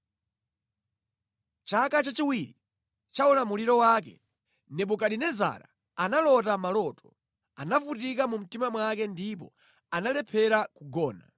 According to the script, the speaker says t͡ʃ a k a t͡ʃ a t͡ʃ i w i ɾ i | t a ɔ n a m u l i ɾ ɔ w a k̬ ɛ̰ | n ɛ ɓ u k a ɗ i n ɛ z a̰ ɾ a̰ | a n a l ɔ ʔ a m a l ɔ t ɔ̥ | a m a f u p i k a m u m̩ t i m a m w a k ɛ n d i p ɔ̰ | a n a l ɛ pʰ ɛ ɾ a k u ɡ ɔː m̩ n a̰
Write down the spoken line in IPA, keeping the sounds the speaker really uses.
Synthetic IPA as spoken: t͡ʃ a k a t͡ʃ a t͡ʃ i w i ɾ i | t͡ʃ a ɔ n a m u l i ɾ ɔ w a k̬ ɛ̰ | n ɛ ɓ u k a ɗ i n ɛ z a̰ ɾ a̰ | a n a l ɔ t a m a l ɔ t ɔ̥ | a n a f u t i k a m u m̩ t i m a m w a k ɛ n d i p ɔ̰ | a n a l ɛ pʰ ɛ ɾ a k u ɡ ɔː n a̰